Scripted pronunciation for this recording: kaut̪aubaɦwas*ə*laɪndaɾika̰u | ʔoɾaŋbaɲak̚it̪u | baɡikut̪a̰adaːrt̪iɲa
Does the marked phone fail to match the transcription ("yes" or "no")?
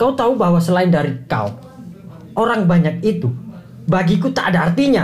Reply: no